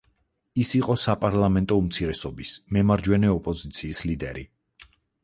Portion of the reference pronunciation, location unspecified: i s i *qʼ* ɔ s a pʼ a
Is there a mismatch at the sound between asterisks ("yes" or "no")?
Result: no